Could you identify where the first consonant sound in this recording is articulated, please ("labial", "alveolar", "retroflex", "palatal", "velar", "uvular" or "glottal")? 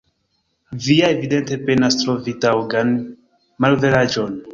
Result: labial